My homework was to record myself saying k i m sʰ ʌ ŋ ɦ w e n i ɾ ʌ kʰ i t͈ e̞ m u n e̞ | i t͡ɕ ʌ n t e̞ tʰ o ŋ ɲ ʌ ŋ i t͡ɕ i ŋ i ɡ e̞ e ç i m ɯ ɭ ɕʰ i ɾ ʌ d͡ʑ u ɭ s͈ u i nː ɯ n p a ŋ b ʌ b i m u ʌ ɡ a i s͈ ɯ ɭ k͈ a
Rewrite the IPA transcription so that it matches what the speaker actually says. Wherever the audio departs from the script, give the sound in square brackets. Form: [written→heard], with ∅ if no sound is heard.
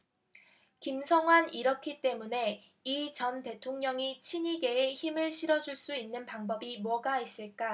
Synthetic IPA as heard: k i m sʰ ʌ ŋ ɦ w [e→a] n i ɾ ʌ kʰ i t͈ e̞ m u n e̞ | i t͡ɕ ʌ n t e̞ tʰ o ŋ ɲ ʌ ŋ i [t͡ɕ→t͡ɕʰ] i [ŋ→ɲ] i ɡ e̞ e ç i m ɯ ɭ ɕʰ i ɾ ʌ d͡ʑ u ɭ s͈ u i nː ɯ n p a ŋ b ʌ b i m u ʌ ɡ a i s͈ ɯ ɭ k͈ a